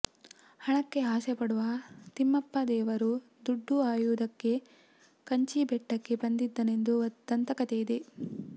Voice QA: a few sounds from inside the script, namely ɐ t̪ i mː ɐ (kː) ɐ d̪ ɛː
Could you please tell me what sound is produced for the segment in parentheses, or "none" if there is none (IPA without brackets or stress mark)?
pː